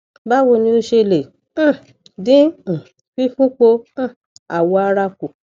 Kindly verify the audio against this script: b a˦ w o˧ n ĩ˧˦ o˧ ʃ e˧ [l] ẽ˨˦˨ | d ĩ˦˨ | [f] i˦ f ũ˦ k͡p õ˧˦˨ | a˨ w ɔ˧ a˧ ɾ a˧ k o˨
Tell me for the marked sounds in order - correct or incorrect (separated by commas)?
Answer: correct, correct